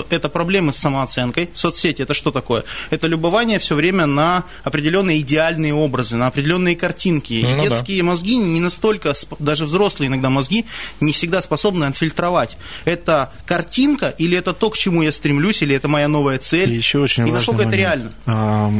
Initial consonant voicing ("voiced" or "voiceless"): voiceless